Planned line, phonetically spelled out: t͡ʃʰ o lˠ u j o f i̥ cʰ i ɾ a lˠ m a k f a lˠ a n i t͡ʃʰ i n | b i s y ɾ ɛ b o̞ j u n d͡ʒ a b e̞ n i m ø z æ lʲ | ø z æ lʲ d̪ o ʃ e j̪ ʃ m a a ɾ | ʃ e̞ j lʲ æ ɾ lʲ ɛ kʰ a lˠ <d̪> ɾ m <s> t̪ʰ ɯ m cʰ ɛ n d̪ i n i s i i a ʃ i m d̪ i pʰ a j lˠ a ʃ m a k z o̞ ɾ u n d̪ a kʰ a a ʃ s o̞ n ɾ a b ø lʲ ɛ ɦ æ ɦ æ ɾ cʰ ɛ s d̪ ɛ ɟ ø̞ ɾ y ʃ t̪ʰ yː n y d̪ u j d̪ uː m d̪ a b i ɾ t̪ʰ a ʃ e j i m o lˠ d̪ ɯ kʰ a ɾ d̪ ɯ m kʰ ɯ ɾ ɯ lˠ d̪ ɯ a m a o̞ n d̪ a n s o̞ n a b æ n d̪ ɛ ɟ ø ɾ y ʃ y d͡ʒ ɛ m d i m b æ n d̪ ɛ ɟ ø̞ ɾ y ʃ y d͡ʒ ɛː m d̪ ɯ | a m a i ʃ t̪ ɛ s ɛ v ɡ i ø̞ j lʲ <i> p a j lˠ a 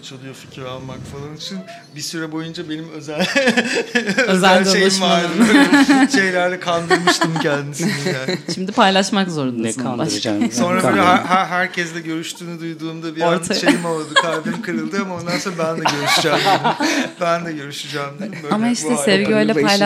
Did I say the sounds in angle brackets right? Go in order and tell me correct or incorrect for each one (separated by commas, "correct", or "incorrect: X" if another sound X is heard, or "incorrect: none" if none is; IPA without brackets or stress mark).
correct, incorrect: ʃ, incorrect: ɛ